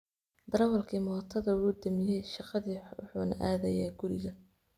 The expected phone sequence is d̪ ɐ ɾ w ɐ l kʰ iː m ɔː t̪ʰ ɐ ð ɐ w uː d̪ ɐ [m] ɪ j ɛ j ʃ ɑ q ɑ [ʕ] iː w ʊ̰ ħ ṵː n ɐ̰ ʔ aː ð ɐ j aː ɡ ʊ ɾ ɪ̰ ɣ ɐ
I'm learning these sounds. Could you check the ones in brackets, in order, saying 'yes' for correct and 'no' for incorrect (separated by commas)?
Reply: yes, no